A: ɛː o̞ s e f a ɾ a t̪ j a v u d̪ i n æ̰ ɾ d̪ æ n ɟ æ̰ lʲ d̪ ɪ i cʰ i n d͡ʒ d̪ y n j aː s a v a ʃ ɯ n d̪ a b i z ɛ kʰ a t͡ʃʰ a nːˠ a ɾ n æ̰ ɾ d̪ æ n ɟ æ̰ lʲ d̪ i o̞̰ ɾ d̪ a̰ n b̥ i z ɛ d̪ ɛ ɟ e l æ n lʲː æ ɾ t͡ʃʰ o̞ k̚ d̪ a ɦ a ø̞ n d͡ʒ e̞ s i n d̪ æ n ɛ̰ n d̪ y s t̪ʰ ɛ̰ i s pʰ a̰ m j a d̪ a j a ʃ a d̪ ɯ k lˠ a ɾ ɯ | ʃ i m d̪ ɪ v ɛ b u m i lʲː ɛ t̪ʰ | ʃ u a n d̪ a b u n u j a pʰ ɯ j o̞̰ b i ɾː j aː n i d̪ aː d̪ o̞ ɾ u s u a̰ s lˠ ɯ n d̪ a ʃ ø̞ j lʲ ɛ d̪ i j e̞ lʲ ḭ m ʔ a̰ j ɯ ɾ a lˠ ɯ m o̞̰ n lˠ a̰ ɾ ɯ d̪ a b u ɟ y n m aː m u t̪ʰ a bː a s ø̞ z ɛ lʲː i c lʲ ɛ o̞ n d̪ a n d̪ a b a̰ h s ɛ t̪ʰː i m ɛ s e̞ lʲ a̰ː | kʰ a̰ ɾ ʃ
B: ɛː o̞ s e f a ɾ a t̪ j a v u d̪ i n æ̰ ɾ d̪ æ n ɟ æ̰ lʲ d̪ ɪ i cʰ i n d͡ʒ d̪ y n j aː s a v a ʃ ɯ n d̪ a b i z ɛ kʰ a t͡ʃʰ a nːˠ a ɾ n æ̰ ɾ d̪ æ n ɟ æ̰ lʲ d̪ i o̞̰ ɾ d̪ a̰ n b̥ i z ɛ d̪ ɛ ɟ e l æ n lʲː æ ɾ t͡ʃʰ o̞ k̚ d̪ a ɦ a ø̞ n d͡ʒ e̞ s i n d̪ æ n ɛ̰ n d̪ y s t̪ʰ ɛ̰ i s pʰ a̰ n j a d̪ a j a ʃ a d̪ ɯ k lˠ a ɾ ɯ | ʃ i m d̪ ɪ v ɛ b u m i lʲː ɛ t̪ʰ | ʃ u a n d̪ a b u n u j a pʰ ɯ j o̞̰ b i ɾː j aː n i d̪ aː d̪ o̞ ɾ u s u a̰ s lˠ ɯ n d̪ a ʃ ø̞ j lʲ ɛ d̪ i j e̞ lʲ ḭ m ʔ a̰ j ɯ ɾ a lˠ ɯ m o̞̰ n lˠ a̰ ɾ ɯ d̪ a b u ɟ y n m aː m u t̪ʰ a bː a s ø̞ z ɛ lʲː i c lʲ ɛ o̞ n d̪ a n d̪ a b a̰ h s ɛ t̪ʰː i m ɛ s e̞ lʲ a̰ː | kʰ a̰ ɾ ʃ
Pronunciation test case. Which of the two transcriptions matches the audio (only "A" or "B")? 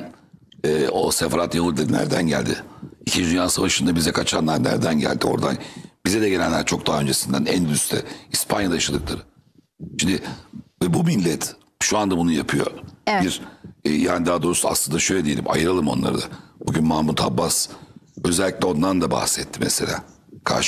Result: B